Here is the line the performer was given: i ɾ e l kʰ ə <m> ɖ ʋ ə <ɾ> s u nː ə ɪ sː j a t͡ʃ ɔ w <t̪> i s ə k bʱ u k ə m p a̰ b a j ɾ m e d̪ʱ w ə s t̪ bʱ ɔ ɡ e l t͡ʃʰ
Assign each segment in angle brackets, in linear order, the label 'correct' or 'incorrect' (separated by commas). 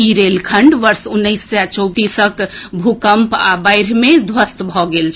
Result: incorrect, correct, correct